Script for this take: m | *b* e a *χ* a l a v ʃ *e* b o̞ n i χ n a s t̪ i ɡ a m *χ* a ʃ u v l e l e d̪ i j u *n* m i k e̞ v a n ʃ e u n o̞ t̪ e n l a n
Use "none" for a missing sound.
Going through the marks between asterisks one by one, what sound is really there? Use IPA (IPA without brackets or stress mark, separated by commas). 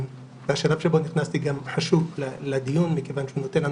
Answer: v, ʃ, e, ħ, n